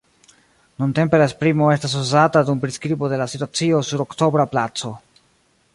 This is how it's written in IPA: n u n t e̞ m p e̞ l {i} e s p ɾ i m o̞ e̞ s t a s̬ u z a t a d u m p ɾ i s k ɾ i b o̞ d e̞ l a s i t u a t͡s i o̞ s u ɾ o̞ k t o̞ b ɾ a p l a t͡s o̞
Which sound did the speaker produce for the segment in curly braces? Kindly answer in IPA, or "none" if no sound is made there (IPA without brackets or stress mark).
a